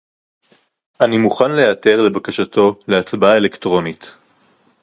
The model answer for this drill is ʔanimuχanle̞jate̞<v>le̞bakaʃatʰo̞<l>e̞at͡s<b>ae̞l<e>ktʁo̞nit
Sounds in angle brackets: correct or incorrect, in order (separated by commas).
incorrect, correct, correct, correct